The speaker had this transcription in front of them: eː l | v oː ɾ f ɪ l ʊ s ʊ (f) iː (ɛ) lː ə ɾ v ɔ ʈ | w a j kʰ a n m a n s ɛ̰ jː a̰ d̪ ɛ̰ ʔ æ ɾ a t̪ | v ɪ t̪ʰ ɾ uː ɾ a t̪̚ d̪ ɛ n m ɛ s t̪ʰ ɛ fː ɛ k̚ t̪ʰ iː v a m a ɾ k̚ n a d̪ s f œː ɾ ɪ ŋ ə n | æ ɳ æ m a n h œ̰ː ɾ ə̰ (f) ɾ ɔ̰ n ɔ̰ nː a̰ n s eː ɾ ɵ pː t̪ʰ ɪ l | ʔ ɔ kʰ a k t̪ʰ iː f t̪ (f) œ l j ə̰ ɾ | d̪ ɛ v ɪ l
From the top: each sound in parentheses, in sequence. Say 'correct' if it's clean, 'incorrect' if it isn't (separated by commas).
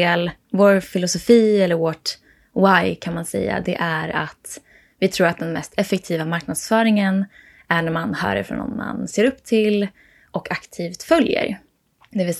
correct, correct, correct, correct